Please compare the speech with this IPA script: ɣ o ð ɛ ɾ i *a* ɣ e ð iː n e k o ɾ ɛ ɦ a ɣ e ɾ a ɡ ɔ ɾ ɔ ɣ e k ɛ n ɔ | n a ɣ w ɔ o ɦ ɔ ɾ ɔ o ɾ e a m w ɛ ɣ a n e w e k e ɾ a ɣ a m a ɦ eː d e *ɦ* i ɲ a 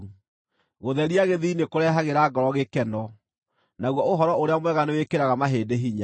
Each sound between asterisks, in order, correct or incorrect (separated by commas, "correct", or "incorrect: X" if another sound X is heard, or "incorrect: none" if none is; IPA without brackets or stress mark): correct, correct